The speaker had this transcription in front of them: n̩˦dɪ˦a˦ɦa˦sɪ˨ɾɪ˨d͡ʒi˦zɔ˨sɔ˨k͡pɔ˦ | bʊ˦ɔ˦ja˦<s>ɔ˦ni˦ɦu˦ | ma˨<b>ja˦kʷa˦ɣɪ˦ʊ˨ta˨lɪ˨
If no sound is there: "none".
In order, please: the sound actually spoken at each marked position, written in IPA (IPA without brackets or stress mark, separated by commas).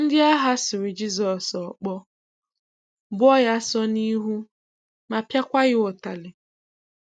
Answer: s, p